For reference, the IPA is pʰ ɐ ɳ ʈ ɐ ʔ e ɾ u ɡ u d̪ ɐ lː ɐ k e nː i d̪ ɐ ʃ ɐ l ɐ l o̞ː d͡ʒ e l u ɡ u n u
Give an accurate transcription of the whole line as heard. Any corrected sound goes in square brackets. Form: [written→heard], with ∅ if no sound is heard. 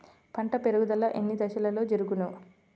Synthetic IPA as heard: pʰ ɐ ɳ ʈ ɐ [ʔ→p] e ɾ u ɡ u d̪ ɐ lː ɐ [k→ʔ] e nː i d̪ ɐ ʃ ɐ l ɐ l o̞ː d͡ʒ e [l→ɾ] u ɡ u n u